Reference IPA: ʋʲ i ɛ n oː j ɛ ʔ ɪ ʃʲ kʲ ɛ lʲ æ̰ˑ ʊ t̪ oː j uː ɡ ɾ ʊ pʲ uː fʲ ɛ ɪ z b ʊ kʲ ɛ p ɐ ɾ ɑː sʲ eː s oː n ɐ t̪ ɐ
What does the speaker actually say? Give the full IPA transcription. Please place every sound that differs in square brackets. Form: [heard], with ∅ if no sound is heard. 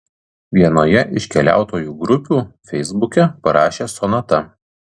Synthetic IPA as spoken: ʋʲ i ɛ n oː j ɛ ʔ ɪ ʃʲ kʲ ɛ lʲ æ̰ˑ ʊ t̪ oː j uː ɡ ɾ ʊ pʲ uː fʲ ɛ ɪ z b ʊ kʲ ɛ p ɐ ɾ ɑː [ʃʲ] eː s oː n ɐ t̪ ɐ